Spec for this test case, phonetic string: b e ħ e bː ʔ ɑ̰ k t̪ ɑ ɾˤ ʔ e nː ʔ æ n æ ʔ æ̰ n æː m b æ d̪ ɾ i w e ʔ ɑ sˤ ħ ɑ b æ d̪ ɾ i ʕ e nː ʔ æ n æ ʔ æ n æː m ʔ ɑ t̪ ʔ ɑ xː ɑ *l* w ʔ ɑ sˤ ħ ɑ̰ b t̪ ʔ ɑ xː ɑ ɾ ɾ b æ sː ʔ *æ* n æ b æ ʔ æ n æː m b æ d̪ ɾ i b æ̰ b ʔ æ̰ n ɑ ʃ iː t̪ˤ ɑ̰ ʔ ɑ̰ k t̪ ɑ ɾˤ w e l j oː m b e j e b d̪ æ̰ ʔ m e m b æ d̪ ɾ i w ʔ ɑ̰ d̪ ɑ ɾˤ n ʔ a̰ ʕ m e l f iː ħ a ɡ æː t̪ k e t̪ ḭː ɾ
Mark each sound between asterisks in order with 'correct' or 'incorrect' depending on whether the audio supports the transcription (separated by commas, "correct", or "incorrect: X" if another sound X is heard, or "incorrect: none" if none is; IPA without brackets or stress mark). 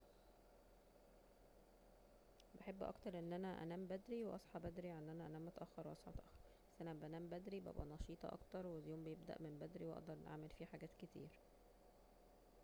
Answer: incorrect: ɾ, correct